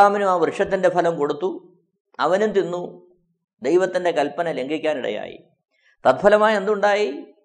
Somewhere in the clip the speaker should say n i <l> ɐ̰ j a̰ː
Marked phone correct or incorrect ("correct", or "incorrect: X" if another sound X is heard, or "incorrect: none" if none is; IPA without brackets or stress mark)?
incorrect: ɽ